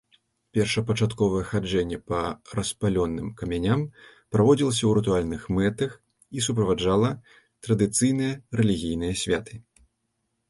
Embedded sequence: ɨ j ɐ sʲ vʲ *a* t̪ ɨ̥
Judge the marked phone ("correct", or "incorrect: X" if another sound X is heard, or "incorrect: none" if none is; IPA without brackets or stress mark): correct